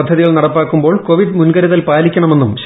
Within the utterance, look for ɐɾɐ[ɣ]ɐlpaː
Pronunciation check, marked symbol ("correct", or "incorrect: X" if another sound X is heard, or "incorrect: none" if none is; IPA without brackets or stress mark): incorrect: ð